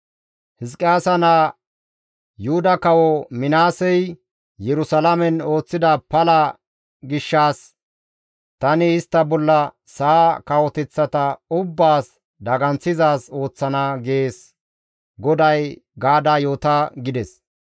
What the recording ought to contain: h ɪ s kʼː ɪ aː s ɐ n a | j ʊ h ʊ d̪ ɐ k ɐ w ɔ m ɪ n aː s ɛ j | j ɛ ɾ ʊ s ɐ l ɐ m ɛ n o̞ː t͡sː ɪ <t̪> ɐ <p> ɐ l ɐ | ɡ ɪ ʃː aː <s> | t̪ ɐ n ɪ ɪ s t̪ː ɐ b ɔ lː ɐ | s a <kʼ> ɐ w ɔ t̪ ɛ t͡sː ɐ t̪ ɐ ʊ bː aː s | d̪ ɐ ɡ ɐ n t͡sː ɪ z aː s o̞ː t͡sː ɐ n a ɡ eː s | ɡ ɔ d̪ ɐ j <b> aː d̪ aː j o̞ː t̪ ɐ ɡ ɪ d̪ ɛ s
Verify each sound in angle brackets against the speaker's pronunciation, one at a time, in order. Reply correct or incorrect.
incorrect: d̪, correct, correct, incorrect: k, incorrect: ɡ

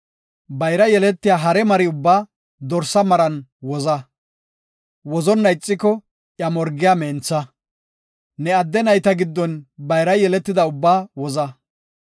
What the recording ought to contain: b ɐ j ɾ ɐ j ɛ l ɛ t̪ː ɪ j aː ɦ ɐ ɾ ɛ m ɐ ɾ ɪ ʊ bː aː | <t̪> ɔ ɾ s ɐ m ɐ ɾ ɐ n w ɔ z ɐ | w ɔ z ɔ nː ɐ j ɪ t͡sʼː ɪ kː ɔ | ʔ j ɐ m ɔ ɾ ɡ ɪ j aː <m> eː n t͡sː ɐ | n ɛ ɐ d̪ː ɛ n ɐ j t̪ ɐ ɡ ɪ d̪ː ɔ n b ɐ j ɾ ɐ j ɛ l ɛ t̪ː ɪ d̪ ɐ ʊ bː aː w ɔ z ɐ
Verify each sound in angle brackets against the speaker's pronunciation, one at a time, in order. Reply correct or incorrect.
incorrect: d̪, correct

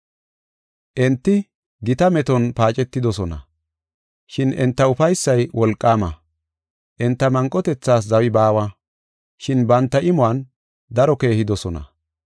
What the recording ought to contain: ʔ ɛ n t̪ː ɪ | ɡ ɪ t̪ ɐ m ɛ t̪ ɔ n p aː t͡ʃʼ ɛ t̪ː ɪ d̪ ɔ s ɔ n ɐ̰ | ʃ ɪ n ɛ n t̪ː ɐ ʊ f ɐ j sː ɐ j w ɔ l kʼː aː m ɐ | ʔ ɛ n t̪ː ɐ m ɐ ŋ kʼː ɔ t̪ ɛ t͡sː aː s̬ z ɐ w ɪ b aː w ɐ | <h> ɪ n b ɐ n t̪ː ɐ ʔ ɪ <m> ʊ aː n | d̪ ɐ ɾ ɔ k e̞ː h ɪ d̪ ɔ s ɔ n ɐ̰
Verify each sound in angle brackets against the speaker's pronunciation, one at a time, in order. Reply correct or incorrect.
incorrect: ʃ, correct

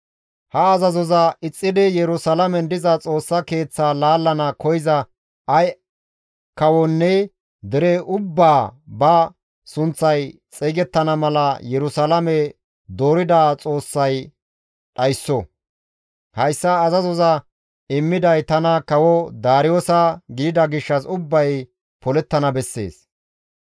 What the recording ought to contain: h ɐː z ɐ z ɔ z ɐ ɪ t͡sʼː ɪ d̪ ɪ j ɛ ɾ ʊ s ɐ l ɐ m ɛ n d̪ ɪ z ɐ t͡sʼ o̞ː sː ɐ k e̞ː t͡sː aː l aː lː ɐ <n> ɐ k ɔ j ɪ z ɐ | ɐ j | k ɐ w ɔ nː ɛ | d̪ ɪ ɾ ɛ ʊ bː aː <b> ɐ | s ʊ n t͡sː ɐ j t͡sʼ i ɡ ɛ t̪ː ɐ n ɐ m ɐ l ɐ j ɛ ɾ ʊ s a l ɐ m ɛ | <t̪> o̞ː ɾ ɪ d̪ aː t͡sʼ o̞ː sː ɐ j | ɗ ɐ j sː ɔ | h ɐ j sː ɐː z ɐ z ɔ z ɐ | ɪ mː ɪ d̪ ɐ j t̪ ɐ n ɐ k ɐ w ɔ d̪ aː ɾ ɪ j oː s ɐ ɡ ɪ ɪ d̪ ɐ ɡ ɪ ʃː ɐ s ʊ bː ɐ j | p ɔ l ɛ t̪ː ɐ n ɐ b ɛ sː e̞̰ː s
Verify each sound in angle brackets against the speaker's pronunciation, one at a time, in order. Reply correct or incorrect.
correct, correct, incorrect: d̪

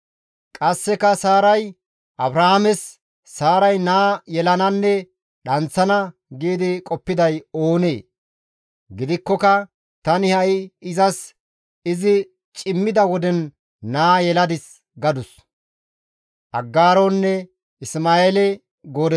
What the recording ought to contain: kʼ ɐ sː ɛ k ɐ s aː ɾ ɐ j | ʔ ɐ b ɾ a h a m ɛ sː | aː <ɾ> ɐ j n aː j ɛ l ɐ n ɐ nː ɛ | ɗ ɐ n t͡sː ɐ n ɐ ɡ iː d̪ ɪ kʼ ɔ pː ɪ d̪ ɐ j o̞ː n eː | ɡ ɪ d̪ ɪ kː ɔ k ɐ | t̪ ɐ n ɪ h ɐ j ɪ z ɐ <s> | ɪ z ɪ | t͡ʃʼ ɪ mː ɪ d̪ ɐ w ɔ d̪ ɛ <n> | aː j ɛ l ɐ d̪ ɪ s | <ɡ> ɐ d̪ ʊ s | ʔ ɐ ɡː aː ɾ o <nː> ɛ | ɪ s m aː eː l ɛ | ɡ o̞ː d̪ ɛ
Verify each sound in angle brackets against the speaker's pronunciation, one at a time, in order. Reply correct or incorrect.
correct, correct, incorrect: nː, correct, correct

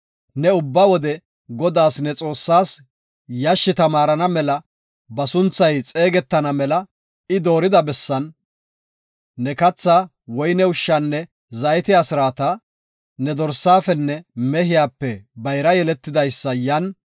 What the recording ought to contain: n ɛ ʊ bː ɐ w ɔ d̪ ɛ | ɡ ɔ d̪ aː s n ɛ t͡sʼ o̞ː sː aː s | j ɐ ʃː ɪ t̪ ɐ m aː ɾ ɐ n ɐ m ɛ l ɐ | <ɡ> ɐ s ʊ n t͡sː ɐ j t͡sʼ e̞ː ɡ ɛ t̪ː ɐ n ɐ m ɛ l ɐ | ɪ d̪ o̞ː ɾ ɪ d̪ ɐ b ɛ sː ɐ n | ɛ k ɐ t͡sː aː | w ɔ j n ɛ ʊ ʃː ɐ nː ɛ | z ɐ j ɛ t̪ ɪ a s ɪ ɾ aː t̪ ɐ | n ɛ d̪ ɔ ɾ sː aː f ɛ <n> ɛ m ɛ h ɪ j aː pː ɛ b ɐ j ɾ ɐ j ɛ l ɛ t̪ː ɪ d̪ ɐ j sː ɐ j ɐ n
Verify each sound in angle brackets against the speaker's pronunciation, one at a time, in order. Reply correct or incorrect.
incorrect: b, incorrect: nː

